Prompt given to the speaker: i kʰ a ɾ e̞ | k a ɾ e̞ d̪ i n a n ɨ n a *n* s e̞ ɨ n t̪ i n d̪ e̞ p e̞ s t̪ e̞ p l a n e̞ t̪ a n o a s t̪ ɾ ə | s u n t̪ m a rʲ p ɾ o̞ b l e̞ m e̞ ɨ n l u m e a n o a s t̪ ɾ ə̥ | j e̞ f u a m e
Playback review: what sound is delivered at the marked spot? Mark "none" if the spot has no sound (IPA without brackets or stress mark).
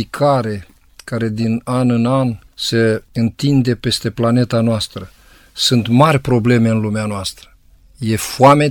n